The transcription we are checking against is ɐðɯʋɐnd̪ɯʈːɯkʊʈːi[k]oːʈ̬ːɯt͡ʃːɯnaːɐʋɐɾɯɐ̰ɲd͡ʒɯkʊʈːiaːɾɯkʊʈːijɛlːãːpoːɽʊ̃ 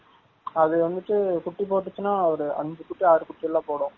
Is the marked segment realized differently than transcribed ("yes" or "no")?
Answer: yes